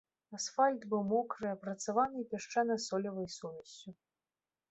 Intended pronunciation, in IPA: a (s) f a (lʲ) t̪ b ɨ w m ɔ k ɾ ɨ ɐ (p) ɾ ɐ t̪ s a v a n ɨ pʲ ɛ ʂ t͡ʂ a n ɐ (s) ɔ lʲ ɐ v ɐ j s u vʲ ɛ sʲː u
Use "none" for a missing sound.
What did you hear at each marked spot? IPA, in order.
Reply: s, lʲ, p, s

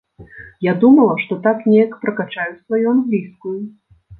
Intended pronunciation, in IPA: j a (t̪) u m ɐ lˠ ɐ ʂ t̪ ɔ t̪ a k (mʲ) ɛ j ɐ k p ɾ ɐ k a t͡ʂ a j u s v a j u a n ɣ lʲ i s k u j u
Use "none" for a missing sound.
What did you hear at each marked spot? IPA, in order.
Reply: d̪, nʲ

